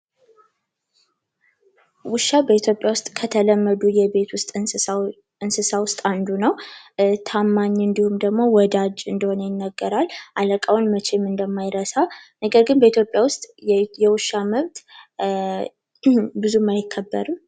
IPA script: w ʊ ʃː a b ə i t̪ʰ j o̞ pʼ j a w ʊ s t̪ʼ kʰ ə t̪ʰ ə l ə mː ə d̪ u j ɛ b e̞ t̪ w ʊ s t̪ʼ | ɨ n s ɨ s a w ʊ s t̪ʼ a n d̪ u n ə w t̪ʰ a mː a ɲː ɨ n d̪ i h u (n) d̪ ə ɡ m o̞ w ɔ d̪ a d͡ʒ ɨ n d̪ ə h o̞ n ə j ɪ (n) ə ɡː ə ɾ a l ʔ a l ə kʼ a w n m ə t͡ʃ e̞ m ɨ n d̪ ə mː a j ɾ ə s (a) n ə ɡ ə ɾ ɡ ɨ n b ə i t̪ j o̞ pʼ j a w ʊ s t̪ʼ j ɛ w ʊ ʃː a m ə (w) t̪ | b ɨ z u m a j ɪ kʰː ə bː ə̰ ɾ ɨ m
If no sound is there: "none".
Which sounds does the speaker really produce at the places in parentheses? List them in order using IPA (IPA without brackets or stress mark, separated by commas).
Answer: m, nː, a, β